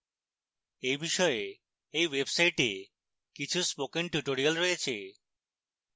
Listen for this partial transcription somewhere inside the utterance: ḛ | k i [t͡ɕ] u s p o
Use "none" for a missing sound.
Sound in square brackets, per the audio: t͡ɕʰ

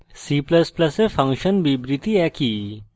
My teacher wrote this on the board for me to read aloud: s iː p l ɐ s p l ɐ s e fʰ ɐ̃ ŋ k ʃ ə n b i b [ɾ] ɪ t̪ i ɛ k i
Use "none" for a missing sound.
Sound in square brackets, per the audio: ɾ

